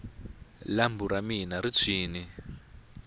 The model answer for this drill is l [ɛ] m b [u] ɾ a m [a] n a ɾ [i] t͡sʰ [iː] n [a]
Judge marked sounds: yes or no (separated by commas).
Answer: no, yes, no, yes, yes, no